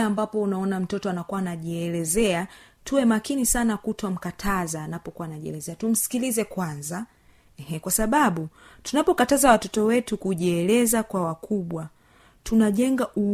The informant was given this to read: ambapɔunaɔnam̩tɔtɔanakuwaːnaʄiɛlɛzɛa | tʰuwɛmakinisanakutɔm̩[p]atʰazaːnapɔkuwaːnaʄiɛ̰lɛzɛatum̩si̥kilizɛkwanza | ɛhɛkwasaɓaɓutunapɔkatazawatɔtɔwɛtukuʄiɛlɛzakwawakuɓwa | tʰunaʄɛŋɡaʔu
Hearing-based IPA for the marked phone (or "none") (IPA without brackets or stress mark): k